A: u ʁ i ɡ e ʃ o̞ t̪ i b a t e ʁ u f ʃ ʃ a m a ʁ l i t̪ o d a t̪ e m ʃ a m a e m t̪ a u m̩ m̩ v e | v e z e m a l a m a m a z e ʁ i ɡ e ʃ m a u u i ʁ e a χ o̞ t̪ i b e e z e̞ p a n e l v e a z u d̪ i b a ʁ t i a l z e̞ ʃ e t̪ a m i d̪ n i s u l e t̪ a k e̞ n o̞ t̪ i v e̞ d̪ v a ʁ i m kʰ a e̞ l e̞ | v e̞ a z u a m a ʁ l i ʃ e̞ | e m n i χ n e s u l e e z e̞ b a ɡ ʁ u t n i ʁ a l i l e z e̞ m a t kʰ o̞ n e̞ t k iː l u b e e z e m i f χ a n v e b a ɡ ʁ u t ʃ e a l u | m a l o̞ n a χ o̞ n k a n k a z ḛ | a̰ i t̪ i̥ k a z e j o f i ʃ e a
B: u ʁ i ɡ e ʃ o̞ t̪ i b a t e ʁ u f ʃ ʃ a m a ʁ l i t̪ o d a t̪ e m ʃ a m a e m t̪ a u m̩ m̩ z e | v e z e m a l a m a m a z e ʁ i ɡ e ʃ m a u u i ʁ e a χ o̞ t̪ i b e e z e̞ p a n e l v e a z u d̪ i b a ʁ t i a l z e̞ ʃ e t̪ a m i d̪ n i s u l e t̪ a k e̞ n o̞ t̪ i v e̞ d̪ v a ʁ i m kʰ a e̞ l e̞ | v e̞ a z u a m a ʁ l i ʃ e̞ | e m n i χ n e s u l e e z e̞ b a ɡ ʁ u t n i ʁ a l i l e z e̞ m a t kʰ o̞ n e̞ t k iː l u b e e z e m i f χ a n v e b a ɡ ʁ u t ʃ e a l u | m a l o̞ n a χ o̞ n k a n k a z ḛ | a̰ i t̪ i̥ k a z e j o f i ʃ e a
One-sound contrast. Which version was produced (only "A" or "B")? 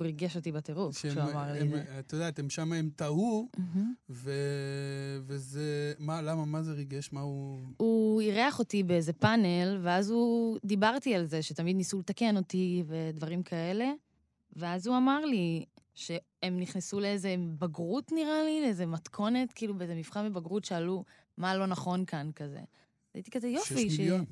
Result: A